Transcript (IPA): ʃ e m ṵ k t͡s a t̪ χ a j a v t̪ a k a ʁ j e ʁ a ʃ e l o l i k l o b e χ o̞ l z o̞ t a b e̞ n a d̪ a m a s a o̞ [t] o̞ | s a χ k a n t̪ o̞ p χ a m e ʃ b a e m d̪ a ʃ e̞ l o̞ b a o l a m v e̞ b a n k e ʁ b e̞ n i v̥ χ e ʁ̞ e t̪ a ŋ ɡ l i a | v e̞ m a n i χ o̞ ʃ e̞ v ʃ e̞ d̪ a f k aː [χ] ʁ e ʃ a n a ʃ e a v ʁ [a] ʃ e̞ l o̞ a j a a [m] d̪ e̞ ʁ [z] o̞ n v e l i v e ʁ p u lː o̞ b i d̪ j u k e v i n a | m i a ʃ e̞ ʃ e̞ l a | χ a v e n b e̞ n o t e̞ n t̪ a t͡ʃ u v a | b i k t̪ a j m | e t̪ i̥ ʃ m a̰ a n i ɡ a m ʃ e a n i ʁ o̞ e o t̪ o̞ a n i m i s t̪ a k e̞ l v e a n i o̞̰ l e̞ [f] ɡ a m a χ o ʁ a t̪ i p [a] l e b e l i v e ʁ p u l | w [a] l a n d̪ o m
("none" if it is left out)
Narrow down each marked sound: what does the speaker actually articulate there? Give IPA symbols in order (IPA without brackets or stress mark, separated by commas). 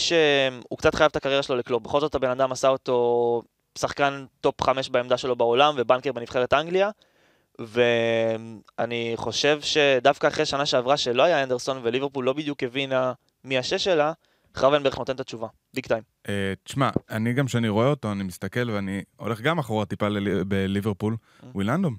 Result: t, χ, a, n, s, χ, a, i